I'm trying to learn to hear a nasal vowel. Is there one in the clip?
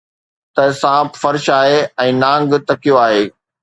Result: yes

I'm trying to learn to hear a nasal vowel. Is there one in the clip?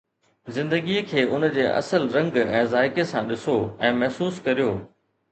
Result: yes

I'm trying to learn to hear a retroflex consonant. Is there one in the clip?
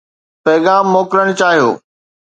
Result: yes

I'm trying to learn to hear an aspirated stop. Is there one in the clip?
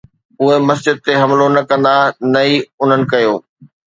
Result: no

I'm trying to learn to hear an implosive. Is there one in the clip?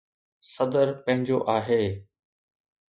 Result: no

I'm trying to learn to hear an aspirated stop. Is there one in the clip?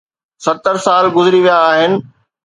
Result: no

